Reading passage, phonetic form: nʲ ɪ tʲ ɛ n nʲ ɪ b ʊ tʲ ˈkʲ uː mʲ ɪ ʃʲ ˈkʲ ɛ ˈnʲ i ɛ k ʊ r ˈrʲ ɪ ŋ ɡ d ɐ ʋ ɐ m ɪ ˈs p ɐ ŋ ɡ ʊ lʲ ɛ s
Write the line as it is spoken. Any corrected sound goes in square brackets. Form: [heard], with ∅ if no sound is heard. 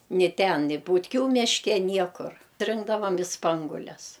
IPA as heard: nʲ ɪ tʲ ɛ n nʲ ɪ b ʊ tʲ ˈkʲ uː mʲ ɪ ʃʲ ˈkʲ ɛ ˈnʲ i ɛ k ʊ r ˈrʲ ɪ ŋ ɡ d ɐ ʋ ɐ m ɪ ˈs p ɐ ŋ ɡ ʊ lʲ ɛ s

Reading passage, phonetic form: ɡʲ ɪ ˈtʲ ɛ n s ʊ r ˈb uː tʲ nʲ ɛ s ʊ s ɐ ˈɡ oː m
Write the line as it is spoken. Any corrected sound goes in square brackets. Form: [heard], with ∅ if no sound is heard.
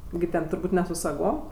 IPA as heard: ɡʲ ɪ ˈtʲ ɛ n [t] ʊ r ˈb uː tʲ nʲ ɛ s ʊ s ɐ ˈɡ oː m

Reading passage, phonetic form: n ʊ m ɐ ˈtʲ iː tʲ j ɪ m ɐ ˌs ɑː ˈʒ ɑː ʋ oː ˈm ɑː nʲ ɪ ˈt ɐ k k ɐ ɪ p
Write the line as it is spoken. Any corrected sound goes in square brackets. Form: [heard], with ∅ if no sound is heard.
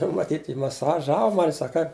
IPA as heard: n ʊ m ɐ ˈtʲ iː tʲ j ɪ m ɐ ˌs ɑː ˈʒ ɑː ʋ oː ˈm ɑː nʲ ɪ [ˈs] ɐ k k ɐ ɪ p

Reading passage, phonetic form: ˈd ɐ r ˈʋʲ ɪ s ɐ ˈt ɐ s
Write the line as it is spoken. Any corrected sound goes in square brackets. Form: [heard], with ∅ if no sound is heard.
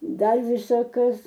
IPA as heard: ˈd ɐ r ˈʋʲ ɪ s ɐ [ˈk] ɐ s

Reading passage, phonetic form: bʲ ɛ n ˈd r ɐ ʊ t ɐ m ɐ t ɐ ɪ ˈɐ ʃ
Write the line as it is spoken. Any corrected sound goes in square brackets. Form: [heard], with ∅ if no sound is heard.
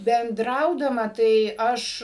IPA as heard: bʲ ɛ n ˈd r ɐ ʊ [d] ɐ m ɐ t ɐ ɪ ˈɐ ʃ

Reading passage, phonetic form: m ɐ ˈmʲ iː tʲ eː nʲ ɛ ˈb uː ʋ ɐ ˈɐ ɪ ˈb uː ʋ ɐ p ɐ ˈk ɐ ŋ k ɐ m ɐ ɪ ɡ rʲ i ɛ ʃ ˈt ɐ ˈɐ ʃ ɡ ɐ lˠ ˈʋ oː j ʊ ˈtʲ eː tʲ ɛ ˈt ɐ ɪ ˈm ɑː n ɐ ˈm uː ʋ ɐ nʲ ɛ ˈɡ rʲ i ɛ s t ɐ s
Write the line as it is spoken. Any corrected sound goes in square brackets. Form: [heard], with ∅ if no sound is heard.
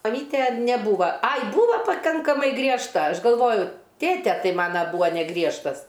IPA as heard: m ɐ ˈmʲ iː tʲ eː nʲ ɛ ˈb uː ʋ ɐ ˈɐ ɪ ˈb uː ʋ ɐ p ɐ ˈk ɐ ŋ k ɐ m ɐ ɪ ɡ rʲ i ɛ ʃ ˈt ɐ ˈɐ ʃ ɡ ɐ lˠ ˈʋ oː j ʊ ˈtʲ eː tʲ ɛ ˈt ɐ ɪ ˈm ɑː n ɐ [ˈb] uː ʋ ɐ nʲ ɛ ˈɡ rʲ i ɛ [ʃ] t ɐ s

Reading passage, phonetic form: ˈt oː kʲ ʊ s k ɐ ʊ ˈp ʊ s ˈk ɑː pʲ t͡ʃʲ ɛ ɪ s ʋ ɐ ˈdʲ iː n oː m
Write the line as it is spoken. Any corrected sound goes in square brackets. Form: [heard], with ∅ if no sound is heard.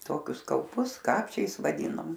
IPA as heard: ˈt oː kʲ ʊ s k ɐ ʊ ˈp ʊ s ˈk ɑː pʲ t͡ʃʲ ɛ ɪ s ʋ ɐ ˈdʲ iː n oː m

